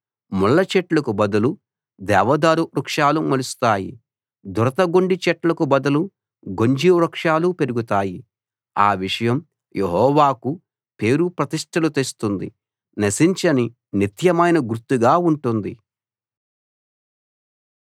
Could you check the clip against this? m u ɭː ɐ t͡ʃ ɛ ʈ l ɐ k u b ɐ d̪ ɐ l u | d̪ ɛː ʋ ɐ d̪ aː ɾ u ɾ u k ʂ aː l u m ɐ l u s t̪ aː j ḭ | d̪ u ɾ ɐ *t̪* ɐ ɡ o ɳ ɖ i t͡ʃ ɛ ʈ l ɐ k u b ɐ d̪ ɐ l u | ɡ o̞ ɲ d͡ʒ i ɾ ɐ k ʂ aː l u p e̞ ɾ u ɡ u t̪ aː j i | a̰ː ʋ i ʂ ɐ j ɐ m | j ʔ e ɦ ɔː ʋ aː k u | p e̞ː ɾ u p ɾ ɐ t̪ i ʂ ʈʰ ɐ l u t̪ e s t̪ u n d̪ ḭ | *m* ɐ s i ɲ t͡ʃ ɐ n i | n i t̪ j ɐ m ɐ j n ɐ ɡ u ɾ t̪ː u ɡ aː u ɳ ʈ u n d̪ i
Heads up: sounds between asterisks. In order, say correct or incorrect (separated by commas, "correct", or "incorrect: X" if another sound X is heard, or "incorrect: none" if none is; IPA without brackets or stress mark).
correct, incorrect: n